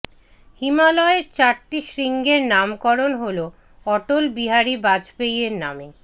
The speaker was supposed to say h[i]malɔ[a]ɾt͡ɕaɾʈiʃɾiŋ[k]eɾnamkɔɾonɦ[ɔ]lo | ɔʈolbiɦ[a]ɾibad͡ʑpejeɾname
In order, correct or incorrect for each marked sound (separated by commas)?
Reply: correct, incorrect, incorrect, incorrect, correct